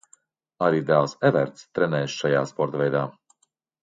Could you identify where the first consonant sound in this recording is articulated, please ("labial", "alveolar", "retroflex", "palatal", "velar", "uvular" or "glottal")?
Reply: alveolar